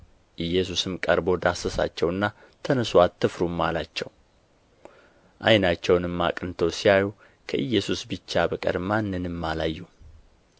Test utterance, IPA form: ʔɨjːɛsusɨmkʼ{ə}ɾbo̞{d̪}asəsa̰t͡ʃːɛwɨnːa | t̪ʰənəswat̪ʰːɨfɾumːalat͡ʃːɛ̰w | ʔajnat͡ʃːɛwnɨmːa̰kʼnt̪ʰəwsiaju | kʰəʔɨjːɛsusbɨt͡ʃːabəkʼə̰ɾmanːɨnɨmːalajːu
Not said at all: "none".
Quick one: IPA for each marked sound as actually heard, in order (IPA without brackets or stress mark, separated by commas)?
ə, d̪